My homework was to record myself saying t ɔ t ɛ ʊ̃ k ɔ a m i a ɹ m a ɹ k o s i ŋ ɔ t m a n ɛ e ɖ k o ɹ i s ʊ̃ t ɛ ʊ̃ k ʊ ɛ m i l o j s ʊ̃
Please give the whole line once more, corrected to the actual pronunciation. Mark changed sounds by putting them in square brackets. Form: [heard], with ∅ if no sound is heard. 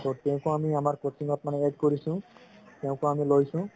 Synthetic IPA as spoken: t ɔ t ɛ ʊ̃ k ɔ a m i a [∅] m a ɹ k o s i ŋ ɔ t m a n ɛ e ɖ k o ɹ i s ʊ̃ t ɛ ʊ̃ k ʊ [a] m i l o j s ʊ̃